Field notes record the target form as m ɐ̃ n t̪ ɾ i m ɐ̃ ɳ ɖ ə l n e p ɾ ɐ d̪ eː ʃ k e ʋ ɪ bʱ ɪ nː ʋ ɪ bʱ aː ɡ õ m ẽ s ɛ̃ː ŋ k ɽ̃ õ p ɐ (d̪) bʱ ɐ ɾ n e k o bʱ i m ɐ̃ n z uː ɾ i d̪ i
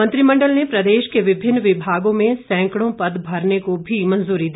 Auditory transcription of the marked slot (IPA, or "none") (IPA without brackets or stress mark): d̪